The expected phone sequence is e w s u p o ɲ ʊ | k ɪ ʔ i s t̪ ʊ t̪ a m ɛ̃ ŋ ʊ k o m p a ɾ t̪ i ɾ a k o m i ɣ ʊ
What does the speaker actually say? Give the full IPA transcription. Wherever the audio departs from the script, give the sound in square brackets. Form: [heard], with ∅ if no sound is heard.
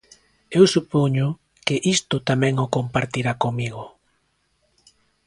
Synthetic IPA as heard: e w s u p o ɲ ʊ | k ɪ ʔ i s t̪ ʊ t̪ a m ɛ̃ ŋ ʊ k o m p a ɾ t̪ i ɾ a k o m i ɣ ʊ